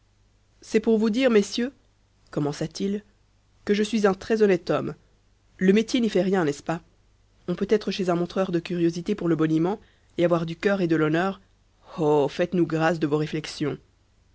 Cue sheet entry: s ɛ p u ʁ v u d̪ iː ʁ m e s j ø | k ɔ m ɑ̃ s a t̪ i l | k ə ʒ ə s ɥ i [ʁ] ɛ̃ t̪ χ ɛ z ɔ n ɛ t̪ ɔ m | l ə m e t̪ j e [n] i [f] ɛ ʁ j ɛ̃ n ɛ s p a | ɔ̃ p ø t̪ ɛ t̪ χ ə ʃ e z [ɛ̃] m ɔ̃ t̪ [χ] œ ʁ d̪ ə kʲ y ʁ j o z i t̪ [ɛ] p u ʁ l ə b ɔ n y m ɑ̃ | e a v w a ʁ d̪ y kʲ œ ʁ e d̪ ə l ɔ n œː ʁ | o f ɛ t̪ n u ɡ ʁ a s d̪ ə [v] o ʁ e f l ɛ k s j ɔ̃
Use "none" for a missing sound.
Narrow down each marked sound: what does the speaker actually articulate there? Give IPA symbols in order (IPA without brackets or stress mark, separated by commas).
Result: z, n, f, ɛ̃, χ, e, v